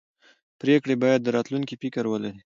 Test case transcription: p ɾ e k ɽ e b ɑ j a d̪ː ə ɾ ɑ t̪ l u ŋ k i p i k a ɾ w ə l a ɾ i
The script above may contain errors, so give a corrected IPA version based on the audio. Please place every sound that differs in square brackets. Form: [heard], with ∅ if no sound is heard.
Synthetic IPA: p ɾ e k ɽ e b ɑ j a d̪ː ə ɾ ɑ t̪ l u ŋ k i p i k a ɾ w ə l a ɾ i